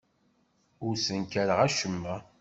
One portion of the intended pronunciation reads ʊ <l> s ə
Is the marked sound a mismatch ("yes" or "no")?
yes